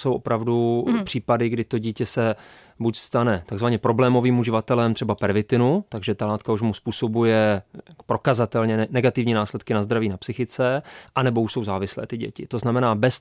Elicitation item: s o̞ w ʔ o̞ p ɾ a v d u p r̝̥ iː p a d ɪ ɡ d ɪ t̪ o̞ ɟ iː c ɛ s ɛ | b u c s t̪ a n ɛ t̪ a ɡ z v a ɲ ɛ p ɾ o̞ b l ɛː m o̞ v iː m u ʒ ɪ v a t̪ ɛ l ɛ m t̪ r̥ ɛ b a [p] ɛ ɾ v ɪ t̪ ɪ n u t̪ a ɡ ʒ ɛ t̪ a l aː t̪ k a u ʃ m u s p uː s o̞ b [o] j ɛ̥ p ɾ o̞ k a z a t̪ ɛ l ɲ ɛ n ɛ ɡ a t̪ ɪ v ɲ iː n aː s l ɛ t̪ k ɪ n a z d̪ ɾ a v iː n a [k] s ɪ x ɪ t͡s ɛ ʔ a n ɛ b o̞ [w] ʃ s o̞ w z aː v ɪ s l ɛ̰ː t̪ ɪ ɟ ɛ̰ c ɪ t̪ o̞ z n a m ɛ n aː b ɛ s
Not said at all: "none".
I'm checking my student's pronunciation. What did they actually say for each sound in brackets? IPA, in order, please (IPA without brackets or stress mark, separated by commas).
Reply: p, u, p, u